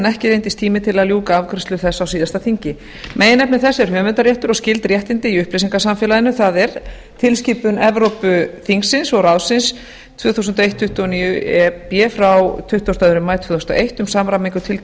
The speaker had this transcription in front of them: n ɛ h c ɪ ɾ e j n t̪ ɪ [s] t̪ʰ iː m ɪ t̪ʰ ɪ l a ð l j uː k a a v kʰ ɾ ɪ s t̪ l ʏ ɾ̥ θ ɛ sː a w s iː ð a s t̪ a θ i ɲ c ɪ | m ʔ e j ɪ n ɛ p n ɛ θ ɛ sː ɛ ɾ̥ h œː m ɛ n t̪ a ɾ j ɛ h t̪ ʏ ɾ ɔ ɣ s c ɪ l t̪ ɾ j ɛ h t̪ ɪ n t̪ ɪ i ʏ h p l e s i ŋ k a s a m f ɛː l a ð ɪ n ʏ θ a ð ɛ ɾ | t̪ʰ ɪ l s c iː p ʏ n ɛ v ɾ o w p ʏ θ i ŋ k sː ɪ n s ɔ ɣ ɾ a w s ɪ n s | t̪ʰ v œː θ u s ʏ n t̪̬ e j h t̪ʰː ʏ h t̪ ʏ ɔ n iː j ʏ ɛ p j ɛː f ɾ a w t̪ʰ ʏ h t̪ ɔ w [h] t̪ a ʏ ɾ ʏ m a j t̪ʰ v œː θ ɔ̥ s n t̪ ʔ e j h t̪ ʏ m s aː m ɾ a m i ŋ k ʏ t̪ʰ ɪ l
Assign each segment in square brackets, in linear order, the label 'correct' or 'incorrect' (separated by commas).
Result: correct, incorrect